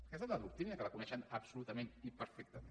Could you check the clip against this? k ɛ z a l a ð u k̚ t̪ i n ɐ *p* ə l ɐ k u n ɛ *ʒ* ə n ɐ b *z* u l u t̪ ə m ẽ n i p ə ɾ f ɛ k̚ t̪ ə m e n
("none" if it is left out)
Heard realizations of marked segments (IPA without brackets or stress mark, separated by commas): k, ʃ, s